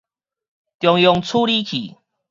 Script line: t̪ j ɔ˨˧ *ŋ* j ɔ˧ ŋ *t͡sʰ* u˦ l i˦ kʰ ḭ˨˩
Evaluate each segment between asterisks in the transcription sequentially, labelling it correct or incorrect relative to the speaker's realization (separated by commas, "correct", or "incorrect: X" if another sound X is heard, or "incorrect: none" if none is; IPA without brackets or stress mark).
correct, correct